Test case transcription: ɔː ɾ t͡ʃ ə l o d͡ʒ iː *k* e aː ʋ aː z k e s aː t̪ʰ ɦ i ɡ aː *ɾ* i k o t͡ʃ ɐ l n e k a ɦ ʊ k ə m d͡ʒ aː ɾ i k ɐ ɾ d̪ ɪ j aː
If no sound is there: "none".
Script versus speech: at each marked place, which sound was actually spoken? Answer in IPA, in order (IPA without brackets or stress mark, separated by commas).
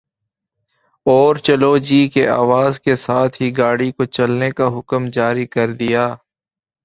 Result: k, ɽ